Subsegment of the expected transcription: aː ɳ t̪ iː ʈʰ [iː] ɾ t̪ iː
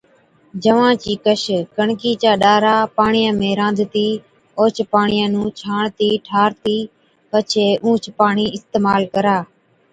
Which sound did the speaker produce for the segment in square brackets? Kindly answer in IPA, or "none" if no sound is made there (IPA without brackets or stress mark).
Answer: aː